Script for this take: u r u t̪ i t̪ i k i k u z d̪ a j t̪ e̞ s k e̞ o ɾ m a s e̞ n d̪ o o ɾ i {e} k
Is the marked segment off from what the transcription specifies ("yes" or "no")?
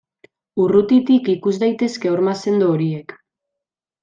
no